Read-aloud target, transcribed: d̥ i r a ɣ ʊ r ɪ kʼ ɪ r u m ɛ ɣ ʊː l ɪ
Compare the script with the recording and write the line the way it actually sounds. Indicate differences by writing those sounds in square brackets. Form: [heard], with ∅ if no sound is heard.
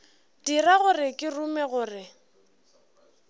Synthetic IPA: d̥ i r a ɣ ʊ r ɪ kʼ ɪ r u m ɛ ɣ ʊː [r] ɪ